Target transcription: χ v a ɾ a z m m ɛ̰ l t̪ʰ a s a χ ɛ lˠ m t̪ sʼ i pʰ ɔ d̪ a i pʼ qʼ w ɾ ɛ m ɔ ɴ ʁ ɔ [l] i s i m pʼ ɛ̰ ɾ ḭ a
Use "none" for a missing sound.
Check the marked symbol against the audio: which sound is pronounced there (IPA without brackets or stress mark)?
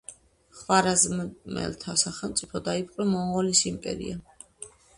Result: l